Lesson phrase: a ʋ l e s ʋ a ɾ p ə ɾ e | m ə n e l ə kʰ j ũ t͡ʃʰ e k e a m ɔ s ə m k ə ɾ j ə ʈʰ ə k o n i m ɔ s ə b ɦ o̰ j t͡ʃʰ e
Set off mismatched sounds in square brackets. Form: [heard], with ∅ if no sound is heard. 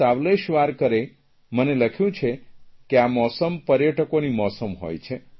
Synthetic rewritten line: a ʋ l e [ʃ] ʋ a ɾ [k] ə ɾ e | m ə n e l ə kʰ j ũ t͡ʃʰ e k e a m ɔ s ə m [p] ə ɾ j ə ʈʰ ə k o n i m ɔ s ə [m] ɦ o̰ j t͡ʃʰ e